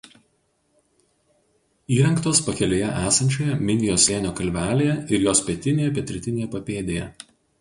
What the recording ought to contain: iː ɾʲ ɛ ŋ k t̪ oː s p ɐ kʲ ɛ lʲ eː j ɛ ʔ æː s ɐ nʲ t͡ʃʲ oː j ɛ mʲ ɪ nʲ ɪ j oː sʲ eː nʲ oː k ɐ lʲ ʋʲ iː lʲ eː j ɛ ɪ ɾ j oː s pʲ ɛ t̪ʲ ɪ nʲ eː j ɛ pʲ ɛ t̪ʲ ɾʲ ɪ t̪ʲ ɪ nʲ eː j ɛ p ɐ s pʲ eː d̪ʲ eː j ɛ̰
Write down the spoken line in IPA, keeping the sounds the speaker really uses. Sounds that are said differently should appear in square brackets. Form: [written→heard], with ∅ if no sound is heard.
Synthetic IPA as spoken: iː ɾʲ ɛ ŋ k t̪ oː s p ɐ kʲ ɛ lʲ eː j ɛ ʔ æː s ɐ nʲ t͡ʃʲ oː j ɛ mʲ ɪ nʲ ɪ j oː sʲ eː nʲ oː k ɐ lʲ ʋʲ [iː→æː] lʲ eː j ɛ ɪ ɾ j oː s pʲ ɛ t̪ʲ ɪ nʲ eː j ɛ pʲ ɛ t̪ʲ ɾʲ ɪ t̪ʲ ɪ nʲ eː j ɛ p ɐ [s→∅] pʲ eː d̪ʲ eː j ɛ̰

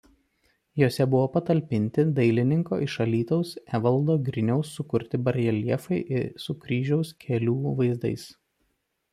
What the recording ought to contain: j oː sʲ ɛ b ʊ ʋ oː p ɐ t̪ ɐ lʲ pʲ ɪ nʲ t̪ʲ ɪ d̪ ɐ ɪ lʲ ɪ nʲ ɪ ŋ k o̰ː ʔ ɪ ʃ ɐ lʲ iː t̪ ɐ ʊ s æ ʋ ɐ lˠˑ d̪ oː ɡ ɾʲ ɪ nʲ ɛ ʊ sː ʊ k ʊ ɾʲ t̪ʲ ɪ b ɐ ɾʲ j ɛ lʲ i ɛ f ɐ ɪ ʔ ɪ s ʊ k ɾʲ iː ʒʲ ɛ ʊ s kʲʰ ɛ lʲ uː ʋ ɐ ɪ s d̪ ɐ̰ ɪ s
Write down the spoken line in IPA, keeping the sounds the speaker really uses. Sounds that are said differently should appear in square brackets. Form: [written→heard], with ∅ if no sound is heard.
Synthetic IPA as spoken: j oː sʲ ɛ b ʊ ʋ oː p ɐ t̪ ɐ lʲ pʲ ɪ nʲ t̪ʲ ɪ d̪ ɐ ɪ lʲ ɪ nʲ ɪ ŋ k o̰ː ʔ ɪ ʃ ɐ lʲ iː t̪ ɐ ʊ s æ ʋ ɐ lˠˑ d̪ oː ɡ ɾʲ ɪ nʲ ɛ ʊ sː ʊ k ʊ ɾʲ t̪ʲ ɪ b ɐ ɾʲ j ɛ lʲ i ɛ f ɐ ɪ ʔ ɪ s ʊ k ɾʲ iː ʒʲ ɛ ʊ s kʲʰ ɛ lʲ uː ʋ ɐ ɪ [s→z] d̪ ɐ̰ ɪ s

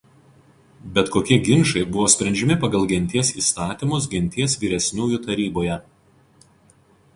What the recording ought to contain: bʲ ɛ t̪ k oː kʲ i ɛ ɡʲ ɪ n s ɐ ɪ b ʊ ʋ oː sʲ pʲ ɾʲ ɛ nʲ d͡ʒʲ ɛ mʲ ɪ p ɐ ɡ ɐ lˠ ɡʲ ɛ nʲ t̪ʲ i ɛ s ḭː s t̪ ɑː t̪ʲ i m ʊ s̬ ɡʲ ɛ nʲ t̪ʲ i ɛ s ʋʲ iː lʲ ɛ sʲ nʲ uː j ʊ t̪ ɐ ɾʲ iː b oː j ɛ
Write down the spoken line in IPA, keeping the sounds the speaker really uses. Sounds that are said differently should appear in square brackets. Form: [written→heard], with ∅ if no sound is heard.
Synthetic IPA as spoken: bʲ ɛ t̪ k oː kʲ i ɛ ɡʲ ɪ n [s→ʃ] ɐ ɪ b ʊ ʋ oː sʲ pʲ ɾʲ ɛ nʲ d͡ʒʲ ɛ mʲ ɪ p ɐ ɡ ɐ lˠ ɡʲ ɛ nʲ t̪ʲ i ɛ s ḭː s t̪ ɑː t̪ʲ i m ʊ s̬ ɡʲ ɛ nʲ t̪ʲ i ɛ s ʋʲ iː [lʲ→ɾʲ] ɛ sʲ nʲ uː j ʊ t̪ ɐ ɾʲ iː b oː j ɛ

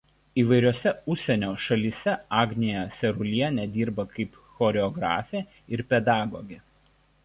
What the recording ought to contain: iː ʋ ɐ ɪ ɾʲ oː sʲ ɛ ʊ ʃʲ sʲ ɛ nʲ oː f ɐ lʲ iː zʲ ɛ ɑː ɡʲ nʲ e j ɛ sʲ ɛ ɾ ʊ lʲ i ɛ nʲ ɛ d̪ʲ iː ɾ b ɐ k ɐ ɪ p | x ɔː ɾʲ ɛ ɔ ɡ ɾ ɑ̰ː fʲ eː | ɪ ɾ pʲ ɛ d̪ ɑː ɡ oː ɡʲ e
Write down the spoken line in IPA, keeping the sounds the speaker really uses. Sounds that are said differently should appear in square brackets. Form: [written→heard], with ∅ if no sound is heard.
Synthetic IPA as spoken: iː ʋ ɐ ɪ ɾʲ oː sʲ ɛ ʊ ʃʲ sʲ ɛ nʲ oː [f→ʃ] ɐ lʲ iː [zʲ→sʲ] ɛ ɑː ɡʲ nʲ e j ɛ sʲ ɛ ɾ ʊ lʲ i ɛ nʲ ɛ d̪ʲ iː ɾ b ɐ k ɐ ɪ p | x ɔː ɾʲ ɛ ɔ ɡ ɾ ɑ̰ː fʲ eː | ɪ ɾ pʲ ɛ d̪ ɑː ɡ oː ɡʲ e

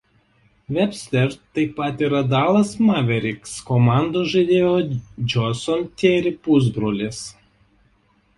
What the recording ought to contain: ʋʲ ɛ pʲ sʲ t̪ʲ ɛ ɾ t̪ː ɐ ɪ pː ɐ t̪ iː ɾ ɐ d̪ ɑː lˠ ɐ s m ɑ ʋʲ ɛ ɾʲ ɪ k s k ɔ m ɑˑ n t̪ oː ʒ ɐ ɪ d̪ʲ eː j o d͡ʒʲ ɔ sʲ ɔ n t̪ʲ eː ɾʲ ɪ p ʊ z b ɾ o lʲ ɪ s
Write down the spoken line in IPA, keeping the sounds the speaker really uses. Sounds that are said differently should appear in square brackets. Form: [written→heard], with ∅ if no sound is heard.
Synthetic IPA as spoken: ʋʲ ɛ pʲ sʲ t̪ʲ ɛ ɾ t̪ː ɐ ɪ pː ɐ t̪ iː ɾ ɐ d̪ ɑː lˠ ɐ s m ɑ ʋʲ ɛ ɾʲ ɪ k s k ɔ m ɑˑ n [t̪→d̪] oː ʒ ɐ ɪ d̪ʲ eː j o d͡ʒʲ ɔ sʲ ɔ n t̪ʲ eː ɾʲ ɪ p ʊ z b ɾ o lʲ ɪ s

